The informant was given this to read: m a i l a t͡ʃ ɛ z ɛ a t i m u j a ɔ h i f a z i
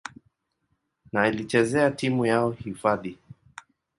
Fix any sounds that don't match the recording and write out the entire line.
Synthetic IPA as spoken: n a i l i t͡ʃ ɛ z ɛ a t i m u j a ɔ h i f a ð i